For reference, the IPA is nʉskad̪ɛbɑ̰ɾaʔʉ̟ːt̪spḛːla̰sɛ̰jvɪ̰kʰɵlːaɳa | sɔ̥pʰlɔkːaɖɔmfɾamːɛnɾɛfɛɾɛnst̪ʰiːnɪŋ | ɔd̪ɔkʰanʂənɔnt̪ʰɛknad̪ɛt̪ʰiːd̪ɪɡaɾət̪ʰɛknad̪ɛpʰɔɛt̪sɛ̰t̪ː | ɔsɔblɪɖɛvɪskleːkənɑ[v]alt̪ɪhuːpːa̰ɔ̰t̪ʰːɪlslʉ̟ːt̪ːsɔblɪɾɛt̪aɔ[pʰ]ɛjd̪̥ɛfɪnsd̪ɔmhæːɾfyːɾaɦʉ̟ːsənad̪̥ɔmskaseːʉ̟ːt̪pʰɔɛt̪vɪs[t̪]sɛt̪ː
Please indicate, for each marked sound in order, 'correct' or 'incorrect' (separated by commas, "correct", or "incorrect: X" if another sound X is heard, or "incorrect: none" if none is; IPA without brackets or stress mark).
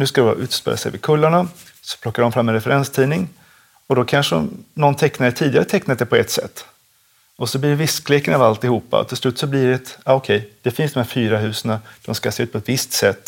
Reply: correct, incorrect: kʰ, correct